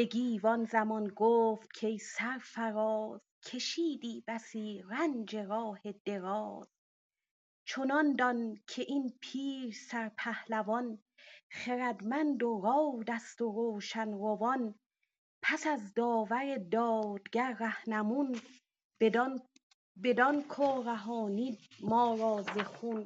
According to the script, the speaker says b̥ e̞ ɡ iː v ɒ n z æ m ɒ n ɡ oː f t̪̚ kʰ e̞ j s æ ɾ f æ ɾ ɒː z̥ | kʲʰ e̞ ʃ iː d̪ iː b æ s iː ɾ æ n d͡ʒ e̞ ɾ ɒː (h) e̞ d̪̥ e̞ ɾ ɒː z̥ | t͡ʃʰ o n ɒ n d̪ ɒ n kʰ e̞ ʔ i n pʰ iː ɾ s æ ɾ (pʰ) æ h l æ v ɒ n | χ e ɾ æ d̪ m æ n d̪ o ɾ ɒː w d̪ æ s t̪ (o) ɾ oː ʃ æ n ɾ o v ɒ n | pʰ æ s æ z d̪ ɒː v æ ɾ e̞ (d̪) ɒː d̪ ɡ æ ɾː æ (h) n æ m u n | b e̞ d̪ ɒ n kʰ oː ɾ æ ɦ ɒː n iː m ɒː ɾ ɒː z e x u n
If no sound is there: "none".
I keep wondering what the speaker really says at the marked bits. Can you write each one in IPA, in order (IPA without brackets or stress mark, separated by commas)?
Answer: h, pʰ, o, d̪, h